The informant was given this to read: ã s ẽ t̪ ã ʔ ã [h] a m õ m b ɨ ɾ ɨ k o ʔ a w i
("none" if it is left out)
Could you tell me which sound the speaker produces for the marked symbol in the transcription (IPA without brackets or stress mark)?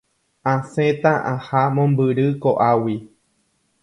h